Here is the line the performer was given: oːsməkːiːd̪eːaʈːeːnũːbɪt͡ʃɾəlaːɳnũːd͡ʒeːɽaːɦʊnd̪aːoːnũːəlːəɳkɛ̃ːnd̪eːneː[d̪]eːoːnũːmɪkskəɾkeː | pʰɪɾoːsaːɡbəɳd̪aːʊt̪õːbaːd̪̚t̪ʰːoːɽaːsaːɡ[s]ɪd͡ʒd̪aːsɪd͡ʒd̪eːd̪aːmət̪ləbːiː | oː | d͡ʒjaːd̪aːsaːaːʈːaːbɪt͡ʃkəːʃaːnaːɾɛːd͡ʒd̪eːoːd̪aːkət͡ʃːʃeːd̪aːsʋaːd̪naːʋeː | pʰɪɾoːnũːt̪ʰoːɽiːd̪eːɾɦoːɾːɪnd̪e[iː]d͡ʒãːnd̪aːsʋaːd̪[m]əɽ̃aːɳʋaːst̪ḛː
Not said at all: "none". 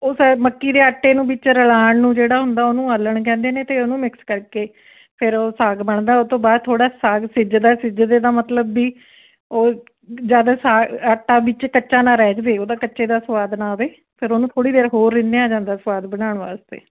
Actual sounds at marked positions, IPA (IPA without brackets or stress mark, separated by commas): t̪, s, aː, b